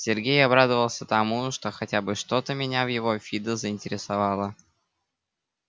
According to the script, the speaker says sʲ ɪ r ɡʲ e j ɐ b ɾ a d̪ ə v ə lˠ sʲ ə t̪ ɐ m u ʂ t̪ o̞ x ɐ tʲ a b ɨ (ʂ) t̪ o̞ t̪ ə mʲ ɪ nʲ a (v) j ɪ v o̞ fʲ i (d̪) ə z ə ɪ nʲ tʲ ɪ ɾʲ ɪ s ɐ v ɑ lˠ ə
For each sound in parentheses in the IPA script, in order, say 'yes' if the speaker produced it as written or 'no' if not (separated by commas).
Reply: yes, yes, yes